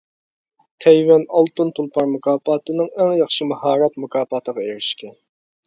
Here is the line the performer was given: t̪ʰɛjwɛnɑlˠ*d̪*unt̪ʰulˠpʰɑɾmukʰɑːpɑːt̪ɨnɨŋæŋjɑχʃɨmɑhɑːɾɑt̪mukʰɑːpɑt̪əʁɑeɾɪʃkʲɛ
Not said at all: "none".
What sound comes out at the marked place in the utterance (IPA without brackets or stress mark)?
t̪